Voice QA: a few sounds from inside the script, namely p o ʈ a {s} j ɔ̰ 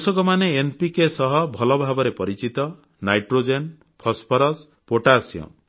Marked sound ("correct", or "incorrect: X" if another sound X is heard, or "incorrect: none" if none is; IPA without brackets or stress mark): correct